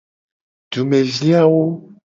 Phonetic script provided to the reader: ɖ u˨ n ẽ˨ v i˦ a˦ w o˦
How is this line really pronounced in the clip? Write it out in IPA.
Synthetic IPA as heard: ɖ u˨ m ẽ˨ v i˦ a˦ w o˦